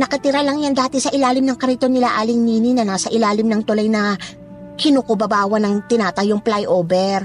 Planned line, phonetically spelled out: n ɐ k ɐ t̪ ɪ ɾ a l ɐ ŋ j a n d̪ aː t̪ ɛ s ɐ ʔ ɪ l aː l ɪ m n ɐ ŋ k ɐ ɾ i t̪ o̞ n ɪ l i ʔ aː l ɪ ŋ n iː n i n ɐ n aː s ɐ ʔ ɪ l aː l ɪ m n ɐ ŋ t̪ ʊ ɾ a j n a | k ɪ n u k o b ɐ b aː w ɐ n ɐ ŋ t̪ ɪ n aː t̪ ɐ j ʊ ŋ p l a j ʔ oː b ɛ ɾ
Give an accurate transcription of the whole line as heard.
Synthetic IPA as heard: n ɐ k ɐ t̪ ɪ ɾ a l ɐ ŋ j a n d̪ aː t̪ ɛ s ɐ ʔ ɪ l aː l ɪ m n ɐ ŋ k ɐ ɾ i t̪ o̞ n ɪ l a ʔ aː l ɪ ŋ n iː n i n ɐ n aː s ɐ ʔ ɪ l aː l ɪ m n ɐ ŋ t̪ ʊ l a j n ɐ | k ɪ n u k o b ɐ b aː w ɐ n ɐ ŋ t̪ ɪ n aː t̪ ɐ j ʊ ŋ p l a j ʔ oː b ɛ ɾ